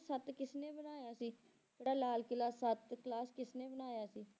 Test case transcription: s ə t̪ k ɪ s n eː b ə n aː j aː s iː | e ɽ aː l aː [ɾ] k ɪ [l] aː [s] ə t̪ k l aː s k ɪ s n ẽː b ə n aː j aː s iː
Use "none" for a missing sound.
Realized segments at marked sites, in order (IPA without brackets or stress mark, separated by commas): l, l, s